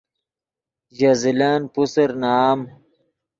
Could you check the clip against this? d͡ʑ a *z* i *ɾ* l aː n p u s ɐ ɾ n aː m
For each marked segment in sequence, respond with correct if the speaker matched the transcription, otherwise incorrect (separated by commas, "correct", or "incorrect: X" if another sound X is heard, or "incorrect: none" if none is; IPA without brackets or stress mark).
correct, incorrect: none